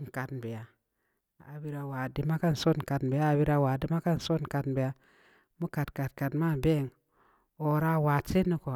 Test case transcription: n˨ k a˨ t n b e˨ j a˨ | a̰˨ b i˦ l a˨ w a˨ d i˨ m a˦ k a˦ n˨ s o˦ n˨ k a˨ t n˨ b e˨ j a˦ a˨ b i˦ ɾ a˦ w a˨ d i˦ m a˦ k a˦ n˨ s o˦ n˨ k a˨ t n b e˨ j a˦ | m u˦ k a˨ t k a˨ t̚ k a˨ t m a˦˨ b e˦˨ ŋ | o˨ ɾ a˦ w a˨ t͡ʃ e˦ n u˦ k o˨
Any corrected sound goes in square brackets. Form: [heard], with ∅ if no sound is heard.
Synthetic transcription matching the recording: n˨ k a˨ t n b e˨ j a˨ | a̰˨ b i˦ [ɾ] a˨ w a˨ d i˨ m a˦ k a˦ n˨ s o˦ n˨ k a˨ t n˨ b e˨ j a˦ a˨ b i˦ ɾ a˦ w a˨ d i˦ m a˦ k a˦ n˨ s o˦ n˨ k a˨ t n b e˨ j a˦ | m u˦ k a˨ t k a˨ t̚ k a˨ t m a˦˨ b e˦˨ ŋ | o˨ ɾ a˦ w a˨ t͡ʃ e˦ n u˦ k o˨